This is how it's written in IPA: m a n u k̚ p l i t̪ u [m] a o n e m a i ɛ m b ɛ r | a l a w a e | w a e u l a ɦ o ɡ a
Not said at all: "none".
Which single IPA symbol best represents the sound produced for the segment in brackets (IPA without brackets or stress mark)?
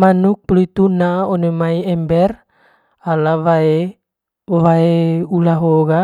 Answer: n